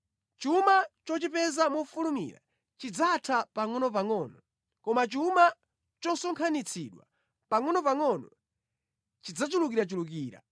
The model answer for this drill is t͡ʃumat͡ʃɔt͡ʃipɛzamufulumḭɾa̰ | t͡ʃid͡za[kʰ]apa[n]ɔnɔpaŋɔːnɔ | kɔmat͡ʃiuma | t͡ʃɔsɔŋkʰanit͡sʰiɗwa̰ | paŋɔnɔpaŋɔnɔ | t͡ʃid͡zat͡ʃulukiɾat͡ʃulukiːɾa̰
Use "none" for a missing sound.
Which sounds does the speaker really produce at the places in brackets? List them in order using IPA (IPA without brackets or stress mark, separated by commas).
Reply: tʰ, ŋ